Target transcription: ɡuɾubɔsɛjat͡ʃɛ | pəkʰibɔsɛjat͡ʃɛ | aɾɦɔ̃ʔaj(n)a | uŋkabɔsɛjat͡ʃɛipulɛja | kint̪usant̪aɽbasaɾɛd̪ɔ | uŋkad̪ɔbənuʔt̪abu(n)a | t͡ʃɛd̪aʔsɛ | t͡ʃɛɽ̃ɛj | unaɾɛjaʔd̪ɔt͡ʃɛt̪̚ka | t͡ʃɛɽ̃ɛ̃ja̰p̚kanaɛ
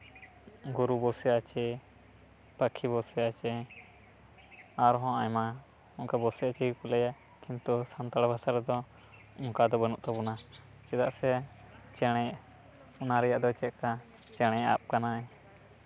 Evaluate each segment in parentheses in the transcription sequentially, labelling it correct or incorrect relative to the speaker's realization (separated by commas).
incorrect, correct